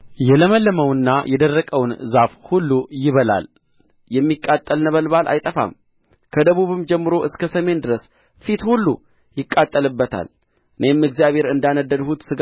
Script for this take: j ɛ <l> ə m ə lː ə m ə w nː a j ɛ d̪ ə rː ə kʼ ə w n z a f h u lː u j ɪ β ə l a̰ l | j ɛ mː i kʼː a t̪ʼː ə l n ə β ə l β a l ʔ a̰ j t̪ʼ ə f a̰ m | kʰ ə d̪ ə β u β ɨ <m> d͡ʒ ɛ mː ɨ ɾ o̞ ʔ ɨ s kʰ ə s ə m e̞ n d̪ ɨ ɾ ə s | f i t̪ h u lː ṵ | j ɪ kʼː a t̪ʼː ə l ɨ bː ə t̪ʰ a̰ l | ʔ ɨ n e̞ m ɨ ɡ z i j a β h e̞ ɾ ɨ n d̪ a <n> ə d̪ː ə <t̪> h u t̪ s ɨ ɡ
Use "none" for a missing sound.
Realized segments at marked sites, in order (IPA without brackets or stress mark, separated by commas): l, m, n, d̪